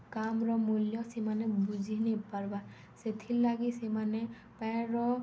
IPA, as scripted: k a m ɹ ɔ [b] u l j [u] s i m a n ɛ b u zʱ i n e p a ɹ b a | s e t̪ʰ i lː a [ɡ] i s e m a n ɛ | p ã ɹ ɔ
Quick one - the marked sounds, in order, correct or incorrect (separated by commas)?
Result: incorrect, incorrect, correct